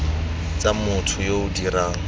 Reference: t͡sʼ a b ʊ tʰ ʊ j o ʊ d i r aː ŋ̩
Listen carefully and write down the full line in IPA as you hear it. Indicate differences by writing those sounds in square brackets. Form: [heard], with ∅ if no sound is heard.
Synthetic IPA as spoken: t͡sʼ a [m] ʊ tʰ ʊ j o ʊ d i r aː ŋ̩